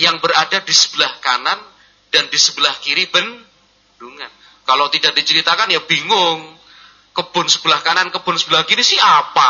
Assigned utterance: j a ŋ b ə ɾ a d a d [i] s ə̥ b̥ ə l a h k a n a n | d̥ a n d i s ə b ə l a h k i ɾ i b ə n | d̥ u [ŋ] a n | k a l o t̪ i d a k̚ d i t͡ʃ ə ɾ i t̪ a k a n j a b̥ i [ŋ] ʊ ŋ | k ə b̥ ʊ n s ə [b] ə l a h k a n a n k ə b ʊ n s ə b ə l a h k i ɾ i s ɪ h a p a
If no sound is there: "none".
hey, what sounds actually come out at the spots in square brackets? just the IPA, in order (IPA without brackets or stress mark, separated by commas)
i, ŋ, ŋ, b